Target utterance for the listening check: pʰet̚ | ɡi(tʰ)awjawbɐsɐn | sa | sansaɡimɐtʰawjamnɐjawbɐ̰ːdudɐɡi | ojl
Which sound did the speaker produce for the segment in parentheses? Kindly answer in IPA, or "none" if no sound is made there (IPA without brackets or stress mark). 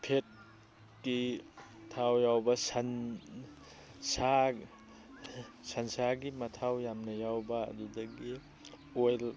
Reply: tʰ